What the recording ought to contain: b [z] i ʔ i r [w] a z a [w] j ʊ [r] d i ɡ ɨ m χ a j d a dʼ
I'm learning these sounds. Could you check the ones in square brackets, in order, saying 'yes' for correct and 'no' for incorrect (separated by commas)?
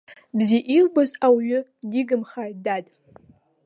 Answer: yes, no, yes, no